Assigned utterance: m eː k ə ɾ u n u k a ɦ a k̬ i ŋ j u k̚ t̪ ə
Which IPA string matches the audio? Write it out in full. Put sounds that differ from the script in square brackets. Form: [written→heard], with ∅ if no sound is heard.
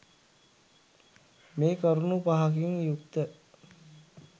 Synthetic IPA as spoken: m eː k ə ɾ u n u [k→p] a ɦ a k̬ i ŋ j u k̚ t̪ ə